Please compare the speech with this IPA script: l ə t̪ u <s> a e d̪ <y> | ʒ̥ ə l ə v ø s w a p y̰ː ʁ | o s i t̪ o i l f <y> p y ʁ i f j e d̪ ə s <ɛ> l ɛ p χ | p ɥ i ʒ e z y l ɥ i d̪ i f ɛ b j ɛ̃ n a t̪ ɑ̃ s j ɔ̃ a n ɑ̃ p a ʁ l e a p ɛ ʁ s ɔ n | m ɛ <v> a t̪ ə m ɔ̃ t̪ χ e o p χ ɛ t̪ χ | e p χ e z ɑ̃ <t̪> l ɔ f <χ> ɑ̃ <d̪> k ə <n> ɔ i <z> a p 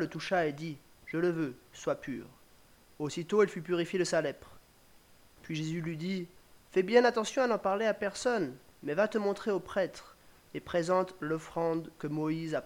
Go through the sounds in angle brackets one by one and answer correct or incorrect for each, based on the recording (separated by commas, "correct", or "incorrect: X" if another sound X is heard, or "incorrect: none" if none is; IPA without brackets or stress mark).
incorrect: ʃ, incorrect: i, correct, incorrect: a, correct, correct, correct, correct, incorrect: m, correct